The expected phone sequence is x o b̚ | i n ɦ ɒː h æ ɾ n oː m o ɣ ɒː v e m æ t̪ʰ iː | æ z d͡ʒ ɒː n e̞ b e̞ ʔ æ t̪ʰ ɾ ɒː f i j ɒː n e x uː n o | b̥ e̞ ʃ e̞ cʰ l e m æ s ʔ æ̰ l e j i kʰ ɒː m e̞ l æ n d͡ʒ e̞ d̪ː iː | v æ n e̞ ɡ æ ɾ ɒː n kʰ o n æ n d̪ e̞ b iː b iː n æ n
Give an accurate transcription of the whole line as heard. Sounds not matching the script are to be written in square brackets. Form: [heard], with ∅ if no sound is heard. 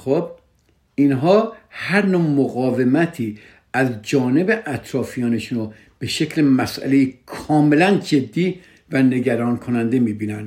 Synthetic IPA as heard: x o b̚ | i n ɦ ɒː h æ ɾ n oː m o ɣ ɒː v e m æ t̪ʰ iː | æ z d͡ʒ ɒː n e̞ b e̞ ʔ æ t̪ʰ ɾ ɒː f i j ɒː n e [ʃ] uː n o | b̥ e̞ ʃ e̞ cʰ l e m æ s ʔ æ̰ l e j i kʰ ɒː m e̞ l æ n d͡ʒ e̞ d̪ː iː | v æ n e̞ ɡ æ ɾ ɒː n kʰ o n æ n d̪ e̞ [m] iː b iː n æ n